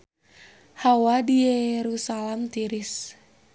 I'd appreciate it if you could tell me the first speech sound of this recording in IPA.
h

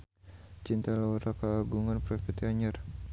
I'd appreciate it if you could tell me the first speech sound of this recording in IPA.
t͡ʃ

